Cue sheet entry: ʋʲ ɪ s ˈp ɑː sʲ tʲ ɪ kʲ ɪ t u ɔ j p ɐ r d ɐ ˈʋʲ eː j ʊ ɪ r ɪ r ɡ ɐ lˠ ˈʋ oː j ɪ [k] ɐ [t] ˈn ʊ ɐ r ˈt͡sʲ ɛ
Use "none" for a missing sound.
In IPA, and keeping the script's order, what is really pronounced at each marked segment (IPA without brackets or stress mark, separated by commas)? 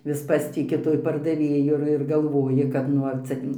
k, t